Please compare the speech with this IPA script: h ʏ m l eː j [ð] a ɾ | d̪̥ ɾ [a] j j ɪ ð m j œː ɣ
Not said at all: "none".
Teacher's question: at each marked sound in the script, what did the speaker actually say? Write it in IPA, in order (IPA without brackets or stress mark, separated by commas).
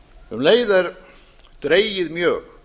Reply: ð, e